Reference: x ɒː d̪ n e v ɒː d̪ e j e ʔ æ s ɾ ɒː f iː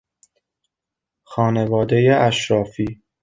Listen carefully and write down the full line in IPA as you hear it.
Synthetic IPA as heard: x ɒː n e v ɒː d̪ e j e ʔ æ ʃ ɾ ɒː f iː